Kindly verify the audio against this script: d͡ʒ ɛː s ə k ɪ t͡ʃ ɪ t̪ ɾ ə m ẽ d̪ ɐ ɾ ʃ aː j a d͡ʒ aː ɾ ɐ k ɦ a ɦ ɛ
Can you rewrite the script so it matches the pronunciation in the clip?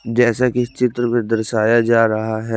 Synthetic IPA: d͡ʒ ɛː s a k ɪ t͡ʃ ɪ t̪ ɾ ə m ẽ d̪ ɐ ɾ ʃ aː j a d͡ʒ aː ɾ ɐ ɦ a ɦ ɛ